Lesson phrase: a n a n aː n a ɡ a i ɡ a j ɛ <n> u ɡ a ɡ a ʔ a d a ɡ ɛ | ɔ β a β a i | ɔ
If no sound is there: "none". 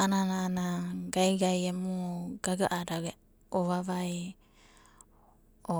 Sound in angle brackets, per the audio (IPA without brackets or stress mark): m